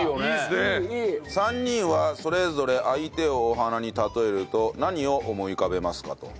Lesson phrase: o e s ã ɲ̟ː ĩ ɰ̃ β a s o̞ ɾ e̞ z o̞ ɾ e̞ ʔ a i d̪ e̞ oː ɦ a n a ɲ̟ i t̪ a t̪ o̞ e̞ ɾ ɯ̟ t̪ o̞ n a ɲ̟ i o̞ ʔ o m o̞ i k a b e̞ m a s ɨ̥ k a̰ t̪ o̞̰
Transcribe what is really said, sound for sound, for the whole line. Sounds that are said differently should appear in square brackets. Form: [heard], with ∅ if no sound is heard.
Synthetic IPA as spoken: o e s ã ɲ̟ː ĩ ɰ̃ β a s o̞ ɾ e̞ z o̞ ɾ e̞ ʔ a i [t̪] e̞ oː ɦ a n a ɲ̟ i t̪ a t̪ o̞ e̞ ɾ ɯ̟ t̪ o̞ n a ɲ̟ i o̞ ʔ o m o̞ i k a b e̞ m a s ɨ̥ k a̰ t̪ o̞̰

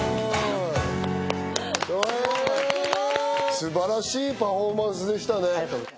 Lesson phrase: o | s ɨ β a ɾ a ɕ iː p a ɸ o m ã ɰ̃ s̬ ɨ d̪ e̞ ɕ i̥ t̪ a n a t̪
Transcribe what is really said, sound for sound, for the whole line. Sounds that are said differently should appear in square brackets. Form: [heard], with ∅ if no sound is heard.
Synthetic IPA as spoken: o | s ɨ [b] a ɾ a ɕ iː p a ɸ o m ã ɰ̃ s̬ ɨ d̪ e̞ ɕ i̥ t̪ a n [e] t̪

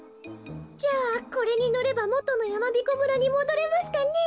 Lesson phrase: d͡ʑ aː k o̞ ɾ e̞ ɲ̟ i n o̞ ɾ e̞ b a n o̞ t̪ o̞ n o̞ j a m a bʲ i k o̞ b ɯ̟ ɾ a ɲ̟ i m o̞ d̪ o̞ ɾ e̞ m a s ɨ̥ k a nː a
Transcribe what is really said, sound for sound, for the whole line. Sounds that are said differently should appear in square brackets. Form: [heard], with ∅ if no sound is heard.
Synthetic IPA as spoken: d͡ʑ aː k o̞ ɾ e̞ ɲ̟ i n o̞ ɾ e̞ b a [m] o̞ t̪ o̞ n o̞ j a m a bʲ i k o̞ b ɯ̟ ɾ a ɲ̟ i m o̞ d̪ o̞ ɾ e̞ m a s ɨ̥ k a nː [e]

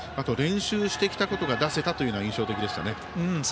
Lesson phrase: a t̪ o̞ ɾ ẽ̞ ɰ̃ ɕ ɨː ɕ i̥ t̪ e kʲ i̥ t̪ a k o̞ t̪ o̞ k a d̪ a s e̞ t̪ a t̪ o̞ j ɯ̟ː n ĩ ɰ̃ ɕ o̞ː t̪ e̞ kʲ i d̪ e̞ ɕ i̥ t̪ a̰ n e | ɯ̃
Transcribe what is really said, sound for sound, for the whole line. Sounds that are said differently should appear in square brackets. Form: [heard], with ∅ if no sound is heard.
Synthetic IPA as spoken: a t̪ o̞ ɾ ẽ̞ ɰ̃ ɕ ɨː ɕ i̥ t̪ e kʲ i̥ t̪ a k o̞ t̪ o̞ [ɡ] a d̪ a s e̞ t̪ a t̪ o̞ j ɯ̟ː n ĩ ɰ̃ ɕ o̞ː t̪ e̞ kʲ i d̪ e̞ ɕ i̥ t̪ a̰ n e | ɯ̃

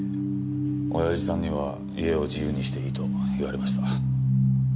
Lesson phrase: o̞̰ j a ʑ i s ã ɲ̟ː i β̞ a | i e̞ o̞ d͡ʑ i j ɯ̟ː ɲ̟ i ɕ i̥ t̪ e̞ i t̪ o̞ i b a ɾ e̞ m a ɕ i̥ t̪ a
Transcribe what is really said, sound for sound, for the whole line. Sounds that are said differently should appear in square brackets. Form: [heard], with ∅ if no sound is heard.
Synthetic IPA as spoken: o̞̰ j a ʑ i s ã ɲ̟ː i β̞ a | i e̞ o̞ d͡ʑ i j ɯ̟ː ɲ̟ i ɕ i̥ t̪ e̞ i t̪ o̞ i [β] a ɾ e̞ m a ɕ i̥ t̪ a

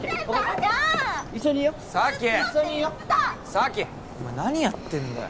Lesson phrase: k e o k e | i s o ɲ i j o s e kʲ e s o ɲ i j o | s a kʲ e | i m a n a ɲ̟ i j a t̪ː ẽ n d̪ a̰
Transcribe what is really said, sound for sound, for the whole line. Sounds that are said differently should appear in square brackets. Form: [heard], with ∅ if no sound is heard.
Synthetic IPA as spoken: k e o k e | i s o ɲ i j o s [a] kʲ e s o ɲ i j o | s a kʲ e | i m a n a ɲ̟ i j a t̪ː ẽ n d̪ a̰

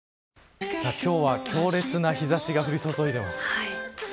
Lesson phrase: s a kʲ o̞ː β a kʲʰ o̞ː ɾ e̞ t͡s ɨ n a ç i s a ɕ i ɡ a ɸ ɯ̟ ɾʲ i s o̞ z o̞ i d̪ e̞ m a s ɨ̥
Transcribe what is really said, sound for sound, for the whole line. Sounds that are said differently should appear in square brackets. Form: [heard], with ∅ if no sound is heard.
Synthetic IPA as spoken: s a kʲ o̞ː β a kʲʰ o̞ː ɾ e̞ t͡s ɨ n a ç i [z] a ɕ i ɡ a ɸ ɯ̟ ɾʲ i s o̞ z o̞ i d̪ e̞ m a s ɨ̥

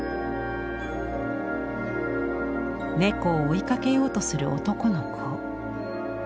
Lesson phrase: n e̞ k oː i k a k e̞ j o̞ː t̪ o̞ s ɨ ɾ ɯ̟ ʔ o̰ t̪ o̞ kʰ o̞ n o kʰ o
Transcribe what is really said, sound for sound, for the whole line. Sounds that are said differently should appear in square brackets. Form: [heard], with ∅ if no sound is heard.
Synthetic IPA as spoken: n e̞ k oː i k a k e̞ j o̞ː t̪ o̞ s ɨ ɾ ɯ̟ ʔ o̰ t̪ o̞ [k] o̞ n o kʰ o

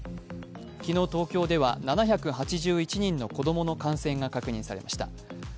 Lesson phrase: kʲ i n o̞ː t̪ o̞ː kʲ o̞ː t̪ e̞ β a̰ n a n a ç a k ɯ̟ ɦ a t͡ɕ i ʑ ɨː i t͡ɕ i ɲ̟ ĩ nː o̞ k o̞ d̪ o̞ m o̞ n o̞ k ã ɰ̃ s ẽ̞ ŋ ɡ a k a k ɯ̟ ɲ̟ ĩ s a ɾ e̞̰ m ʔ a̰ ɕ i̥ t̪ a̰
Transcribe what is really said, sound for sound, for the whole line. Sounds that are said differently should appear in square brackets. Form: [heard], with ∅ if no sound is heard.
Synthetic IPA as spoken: kʲ i n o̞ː t̪ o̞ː kʲ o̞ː [d̪] e̞ β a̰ n a n a ç a k ɯ̟ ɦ a t͡ɕ i ʑ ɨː i t͡ɕ i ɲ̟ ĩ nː o̞ k o̞ d̪ o̞ m o̞ n o̞ k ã ɰ̃ s ẽ̞ ŋ ɡ a k a k ɯ̟ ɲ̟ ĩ s a ɾ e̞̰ m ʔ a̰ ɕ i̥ t̪ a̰

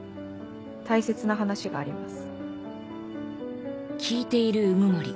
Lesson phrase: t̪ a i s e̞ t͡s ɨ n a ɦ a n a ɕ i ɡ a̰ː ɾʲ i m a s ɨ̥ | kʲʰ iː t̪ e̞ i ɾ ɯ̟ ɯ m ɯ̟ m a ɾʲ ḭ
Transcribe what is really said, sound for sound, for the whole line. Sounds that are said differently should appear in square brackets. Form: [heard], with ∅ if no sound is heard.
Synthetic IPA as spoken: t̪ a i s e̞ t͡s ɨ n a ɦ a n a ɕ i ɡ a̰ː ɾʲ i m a s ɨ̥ | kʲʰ iː t̪ e̞ i ɾ ɯ̟ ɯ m ɯ̟ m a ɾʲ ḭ

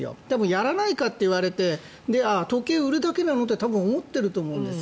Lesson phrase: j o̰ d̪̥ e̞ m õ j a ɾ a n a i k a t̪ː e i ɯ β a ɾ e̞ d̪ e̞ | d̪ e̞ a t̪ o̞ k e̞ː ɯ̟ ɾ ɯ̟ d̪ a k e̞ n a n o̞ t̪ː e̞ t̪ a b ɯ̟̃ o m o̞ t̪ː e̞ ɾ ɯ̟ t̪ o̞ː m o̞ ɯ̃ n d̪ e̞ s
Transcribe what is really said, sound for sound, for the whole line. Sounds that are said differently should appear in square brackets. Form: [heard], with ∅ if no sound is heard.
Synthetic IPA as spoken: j o̰ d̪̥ e̞ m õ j a ɾ a n a i k a t̪ː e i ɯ β a ɾ e̞ [t̪] e̞ | d̪ e̞ a t̪ o̞ k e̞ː ɯ̟ ɾ ɯ̟ d̪ a k e̞ n a n o̞ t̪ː e̞ t̪ a b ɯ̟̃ o m o̞ t̪ː e̞ ɾ ɯ̟ t̪ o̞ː m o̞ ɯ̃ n d̪ e̞ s

